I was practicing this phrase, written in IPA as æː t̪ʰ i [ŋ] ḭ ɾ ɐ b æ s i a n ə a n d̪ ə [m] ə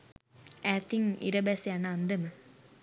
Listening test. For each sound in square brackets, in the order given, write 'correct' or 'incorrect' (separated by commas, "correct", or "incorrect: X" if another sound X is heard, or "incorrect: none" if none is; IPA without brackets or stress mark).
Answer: correct, correct